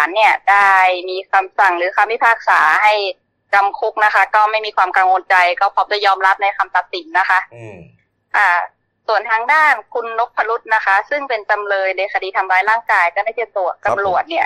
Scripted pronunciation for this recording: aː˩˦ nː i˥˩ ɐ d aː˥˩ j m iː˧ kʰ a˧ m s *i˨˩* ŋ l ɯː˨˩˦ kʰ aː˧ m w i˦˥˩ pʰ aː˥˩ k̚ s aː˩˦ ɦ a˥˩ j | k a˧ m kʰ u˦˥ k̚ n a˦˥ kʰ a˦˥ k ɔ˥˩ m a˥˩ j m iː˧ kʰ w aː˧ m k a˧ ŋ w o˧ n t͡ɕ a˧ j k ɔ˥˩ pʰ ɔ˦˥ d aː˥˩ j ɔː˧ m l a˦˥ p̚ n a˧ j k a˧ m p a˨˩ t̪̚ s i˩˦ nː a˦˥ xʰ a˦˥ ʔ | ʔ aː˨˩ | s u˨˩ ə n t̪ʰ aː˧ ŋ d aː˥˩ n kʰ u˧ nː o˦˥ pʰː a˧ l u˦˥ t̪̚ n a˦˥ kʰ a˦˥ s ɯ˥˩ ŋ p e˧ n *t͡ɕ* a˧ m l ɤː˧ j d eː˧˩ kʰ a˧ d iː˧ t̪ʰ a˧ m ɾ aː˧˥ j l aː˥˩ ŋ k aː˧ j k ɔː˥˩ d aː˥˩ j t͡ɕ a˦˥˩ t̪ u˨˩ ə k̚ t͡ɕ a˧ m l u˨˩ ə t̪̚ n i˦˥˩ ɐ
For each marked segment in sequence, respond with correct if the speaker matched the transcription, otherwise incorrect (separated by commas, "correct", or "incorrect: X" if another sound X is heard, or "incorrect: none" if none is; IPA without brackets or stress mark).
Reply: incorrect: a˨˩, correct